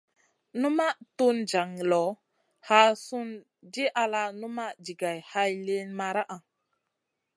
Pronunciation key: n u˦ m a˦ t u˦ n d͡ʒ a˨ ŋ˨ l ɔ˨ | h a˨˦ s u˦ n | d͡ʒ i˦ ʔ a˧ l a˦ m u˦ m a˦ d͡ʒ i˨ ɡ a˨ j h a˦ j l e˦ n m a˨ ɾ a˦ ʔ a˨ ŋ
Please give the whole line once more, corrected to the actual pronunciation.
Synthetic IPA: n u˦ m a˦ t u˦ n d͡ʒ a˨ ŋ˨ l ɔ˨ | h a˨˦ s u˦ n | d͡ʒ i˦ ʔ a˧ l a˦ n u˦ m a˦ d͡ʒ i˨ ɡ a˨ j h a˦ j l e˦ n m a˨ ɾ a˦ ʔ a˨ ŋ